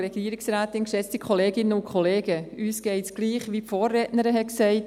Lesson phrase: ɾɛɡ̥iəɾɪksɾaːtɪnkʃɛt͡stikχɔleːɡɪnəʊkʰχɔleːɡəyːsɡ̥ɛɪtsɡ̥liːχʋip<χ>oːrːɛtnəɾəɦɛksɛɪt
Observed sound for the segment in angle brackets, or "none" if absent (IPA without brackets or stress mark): f